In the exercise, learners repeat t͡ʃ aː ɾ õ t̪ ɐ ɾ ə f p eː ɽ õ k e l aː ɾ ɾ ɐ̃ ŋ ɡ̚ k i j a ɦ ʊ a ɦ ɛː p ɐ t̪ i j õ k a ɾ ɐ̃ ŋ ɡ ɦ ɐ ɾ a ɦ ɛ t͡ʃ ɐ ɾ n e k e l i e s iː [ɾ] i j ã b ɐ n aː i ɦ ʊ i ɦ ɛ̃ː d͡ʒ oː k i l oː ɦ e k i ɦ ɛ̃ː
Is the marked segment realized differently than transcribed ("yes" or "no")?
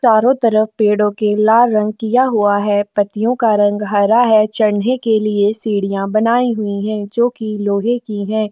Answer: yes